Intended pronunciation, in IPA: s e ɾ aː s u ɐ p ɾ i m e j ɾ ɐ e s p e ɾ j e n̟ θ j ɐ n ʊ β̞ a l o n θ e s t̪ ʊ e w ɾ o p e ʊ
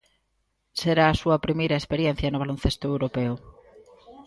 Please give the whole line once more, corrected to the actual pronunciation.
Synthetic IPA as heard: s e ɾ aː s u ɐ p ɾ i m e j ɾ ɐ e s p e ɾ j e n̟ θ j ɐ n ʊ β̞ a l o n θ e s t̪ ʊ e w ɾ o p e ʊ